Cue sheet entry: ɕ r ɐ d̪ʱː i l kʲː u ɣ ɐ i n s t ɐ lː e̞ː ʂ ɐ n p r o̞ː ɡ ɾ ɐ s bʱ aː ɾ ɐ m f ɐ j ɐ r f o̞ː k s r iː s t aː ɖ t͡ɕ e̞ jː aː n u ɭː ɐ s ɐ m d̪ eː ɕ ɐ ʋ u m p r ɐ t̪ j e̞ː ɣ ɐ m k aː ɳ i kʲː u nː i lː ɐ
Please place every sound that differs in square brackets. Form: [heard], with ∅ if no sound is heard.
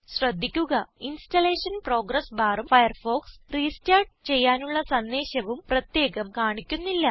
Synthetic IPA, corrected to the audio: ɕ r ɐ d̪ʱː i [∅] kʲː u ɣ ɐ i n s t ɐ [l] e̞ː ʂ ɐ n p r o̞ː ɡ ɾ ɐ s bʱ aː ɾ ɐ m f ɐ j ɐ r f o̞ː k s r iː s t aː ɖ t͡ɕ e̞ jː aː n u ɭː ɐ s ɐ [n] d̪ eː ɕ ɐ ʋ u m p r ɐ t̪ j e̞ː ɣ ɐ m k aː ɳ i kʲː u nː i lː ɐ

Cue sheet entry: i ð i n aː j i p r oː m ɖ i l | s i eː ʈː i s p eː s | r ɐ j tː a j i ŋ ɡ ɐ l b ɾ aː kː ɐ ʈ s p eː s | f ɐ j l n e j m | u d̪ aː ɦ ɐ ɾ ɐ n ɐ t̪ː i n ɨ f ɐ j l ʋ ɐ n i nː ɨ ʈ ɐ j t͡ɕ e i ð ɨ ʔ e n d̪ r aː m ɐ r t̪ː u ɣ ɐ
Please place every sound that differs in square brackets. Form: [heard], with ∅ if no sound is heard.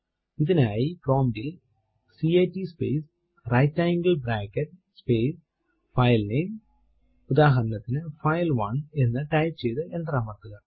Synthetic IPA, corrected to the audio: i ð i n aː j i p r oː m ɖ i l | s i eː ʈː i s p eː s | r ɐ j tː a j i ŋ ɡ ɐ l b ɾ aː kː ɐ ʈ s p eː s | f ɐ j l n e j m | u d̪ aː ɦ ɐ ɾ ɐ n ɐ t̪ː i n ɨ f ɐ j l ʋ ɐ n [e] nː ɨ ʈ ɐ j t͡ɕ e [j] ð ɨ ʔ e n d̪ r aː m ɐ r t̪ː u ɣ ɐ

